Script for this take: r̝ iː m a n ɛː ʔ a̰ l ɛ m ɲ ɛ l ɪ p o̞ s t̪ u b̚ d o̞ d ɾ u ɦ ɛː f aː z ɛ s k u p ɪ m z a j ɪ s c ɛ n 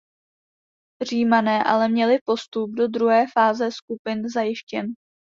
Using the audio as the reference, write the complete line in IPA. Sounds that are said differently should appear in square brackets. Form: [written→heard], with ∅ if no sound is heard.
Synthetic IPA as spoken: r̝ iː m a n ɛː ʔ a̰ l ɛ m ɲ ɛ l ɪ p o̞ s t̪ u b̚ d o̞ d ɾ u ɦ ɛː f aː z ɛ s k u p ɪ [m→n] z a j ɪ [s→ʃ] c ɛ n